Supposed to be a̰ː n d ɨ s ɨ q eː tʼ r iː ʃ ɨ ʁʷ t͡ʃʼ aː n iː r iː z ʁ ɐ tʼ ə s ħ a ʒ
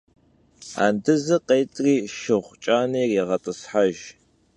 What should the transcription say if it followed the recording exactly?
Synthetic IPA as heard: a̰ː n d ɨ z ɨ q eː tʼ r iː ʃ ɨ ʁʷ t͡ʃʼ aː n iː r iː ʁ ɐ tʼ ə s ħ a ʒ